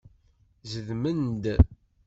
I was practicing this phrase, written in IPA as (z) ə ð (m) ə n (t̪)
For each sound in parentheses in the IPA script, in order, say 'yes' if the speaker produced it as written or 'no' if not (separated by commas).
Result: yes, yes, no